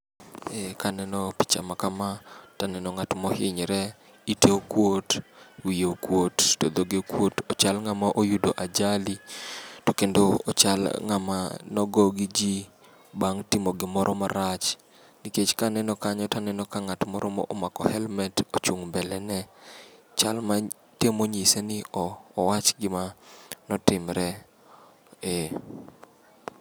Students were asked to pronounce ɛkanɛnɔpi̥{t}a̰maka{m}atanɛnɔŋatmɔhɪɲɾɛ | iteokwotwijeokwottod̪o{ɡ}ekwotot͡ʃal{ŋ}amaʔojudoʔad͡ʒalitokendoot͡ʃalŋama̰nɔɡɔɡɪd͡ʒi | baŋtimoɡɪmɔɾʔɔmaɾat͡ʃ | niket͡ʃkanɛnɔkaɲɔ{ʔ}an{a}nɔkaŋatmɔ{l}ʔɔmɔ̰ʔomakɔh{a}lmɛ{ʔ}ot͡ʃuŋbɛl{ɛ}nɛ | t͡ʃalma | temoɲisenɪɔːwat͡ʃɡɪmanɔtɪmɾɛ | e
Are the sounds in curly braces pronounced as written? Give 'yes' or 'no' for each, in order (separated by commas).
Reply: no, yes, yes, yes, no, no, no, no, no, yes